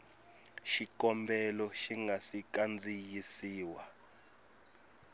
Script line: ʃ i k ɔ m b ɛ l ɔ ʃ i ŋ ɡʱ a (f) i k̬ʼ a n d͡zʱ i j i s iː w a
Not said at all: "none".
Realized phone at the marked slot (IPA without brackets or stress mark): s